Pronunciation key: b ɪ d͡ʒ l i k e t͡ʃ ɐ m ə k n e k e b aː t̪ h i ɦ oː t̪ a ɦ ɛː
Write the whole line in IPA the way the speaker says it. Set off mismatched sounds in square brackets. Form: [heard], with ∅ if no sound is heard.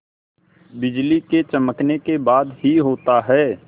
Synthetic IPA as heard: b ɪ d͡ʒ l i k e t͡ʃ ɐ m ə k n e k e b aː [d̪] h i ɦ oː t̪ a ɦ ɛː